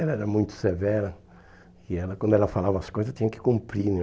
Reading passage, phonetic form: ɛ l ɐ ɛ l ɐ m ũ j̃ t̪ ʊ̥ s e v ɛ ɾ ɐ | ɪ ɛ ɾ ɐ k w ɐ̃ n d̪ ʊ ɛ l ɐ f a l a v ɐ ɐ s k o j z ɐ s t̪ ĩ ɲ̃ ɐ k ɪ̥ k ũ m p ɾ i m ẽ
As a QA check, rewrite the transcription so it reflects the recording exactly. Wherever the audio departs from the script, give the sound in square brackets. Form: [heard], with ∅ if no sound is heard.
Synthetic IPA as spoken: ɛ l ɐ ɛ [ɾ] ɐ m ũ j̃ t̪ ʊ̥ s e v ɛ ɾ ɐ | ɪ ɛ [l] ɐ k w ɐ̃ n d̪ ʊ ɛ l ɐ f a l a v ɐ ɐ s k o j z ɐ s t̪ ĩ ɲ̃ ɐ k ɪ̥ k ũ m p ɾ i [n] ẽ